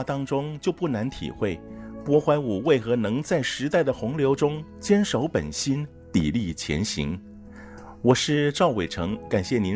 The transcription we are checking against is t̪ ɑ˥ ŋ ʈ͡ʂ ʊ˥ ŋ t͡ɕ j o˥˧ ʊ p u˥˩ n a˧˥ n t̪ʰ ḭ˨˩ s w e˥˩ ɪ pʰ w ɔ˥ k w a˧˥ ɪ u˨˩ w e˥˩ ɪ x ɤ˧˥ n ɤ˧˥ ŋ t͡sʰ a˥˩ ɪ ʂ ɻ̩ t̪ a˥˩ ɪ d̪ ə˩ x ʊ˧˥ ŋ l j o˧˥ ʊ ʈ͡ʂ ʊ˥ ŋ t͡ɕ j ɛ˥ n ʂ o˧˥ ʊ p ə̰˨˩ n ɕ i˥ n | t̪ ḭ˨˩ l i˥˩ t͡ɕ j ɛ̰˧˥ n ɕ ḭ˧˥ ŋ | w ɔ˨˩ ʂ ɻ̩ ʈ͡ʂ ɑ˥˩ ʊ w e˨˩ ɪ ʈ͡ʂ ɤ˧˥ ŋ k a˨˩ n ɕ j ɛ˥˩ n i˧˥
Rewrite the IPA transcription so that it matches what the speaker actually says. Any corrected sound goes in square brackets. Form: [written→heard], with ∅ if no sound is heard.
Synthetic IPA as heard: t̪ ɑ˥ ŋ ʈ͡ʂ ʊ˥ ŋ t͡ɕ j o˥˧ ʊ p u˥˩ n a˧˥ n t̪ʰ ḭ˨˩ [s→x] w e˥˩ ɪ [pʰ→p] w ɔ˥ [k→x] w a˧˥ ɪ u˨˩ w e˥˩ ɪ x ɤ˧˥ n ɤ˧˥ ŋ [t͡sʰ→t͡s] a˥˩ ɪ ʂ ɻ̩ t̪ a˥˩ ɪ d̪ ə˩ x ʊ˧˥ ŋ l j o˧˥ ʊ ʈ͡ʂ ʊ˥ ŋ t͡ɕ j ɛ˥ n ʂ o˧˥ ʊ p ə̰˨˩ n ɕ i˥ n | t̪ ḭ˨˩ l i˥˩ [t͡ɕ→t͡ɕʰ] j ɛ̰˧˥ n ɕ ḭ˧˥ ŋ | w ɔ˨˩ ʂ ɻ̩ ʈ͡ʂ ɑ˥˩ ʊ w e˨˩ ɪ [ʈ͡ʂ→ʈ͡ʂʰ] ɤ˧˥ ŋ k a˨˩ n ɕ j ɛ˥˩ n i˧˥